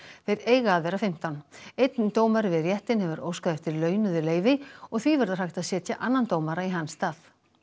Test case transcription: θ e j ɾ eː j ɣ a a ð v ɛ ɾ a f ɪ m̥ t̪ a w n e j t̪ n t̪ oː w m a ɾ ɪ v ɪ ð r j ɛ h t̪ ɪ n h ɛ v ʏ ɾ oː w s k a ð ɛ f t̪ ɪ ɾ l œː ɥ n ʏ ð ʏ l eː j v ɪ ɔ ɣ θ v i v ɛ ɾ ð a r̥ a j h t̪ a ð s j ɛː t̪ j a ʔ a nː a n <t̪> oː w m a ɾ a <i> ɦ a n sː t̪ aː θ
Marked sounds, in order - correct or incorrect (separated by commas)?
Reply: correct, correct